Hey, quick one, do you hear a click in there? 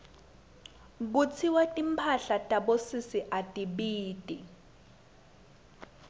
no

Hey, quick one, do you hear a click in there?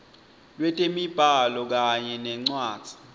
yes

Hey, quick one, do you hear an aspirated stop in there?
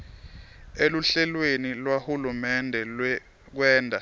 no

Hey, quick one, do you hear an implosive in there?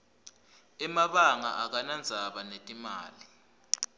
yes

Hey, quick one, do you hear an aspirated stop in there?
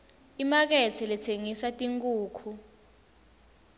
yes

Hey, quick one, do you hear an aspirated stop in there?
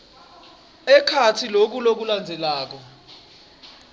yes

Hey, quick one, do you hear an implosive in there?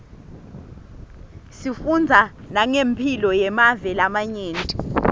no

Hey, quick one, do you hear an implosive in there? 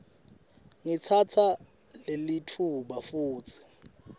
yes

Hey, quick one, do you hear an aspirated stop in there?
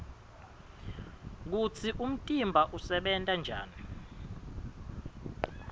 yes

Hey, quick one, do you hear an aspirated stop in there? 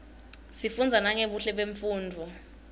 no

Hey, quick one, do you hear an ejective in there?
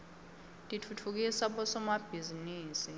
yes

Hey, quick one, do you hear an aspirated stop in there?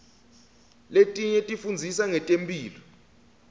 no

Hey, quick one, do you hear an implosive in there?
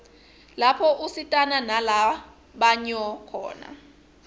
yes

